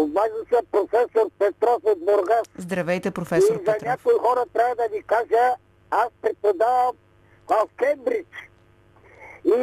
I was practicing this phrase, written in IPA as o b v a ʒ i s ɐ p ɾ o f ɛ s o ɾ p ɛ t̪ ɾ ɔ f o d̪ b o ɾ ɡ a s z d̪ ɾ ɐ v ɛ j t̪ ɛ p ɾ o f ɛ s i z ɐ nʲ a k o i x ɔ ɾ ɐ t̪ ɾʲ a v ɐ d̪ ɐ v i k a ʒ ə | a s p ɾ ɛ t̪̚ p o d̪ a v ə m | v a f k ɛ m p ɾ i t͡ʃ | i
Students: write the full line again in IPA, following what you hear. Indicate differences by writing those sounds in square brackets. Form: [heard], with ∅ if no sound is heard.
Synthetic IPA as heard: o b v a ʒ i s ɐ p ɾ o f ɛ s o ɾ p ɛ t̪ ɾ ɔ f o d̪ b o ɾ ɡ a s z d̪ ɾ ɐ v ɛ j t̪ ɛ p ɾ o f ɛ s i z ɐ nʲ a k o i x ɔ ɾ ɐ t̪ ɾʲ a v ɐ d̪ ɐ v i k a ʒ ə | a s p ɾ ɛ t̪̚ p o d̪ a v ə m | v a f k ɛ m [b] ɾ i t͡ʃ | i